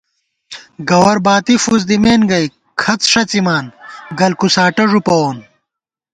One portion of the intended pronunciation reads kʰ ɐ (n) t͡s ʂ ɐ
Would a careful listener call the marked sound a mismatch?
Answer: yes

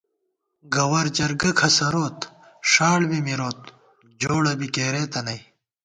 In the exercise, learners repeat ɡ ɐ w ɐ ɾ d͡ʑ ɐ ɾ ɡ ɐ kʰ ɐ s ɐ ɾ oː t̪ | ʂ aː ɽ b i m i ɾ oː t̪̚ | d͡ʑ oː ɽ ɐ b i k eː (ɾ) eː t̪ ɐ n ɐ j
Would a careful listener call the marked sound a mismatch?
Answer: no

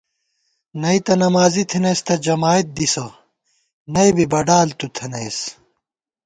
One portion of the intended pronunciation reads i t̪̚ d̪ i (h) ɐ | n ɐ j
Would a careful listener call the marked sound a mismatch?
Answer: yes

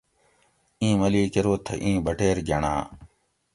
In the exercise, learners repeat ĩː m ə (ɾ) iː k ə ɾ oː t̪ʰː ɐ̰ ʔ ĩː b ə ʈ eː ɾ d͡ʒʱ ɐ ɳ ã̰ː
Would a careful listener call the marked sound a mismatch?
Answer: yes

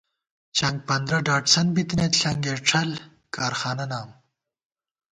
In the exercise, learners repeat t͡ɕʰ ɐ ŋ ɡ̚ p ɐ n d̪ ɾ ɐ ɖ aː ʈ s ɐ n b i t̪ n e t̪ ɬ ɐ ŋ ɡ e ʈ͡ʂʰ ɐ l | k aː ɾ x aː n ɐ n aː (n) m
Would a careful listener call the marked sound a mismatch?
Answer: yes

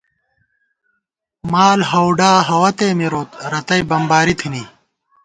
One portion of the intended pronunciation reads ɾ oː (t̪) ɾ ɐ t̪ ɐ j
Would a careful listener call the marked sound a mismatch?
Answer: no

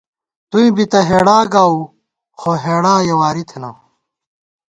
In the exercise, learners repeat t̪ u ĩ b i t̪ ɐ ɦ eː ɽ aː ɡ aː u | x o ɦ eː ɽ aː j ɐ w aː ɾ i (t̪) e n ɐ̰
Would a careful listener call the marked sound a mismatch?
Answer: yes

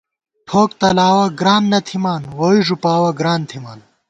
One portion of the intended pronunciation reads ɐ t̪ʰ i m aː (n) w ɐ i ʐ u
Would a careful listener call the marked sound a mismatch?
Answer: no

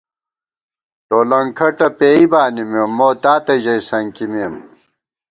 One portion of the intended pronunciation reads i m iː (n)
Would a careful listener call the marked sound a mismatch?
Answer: yes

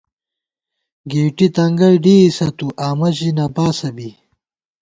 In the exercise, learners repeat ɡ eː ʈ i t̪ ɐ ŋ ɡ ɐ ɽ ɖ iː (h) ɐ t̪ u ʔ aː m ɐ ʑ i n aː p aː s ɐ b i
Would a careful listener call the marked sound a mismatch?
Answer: yes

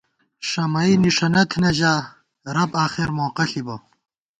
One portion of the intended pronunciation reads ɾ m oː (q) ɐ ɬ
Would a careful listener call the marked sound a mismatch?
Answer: no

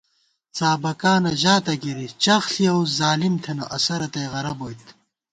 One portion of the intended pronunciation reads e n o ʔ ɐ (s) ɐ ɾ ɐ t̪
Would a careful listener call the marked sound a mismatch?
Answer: no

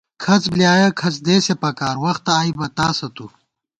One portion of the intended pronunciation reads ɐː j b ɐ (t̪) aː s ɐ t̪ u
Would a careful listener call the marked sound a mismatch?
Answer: no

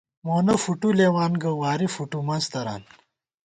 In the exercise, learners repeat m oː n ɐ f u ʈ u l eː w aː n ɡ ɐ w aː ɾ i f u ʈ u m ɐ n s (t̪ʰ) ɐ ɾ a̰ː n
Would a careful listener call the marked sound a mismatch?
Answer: yes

